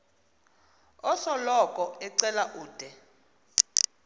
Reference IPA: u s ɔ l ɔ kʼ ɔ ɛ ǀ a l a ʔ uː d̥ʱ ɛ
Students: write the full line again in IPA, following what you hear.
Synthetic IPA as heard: ɔ s ɔ l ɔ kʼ ɔ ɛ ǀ ɛ l a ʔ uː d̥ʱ ɛ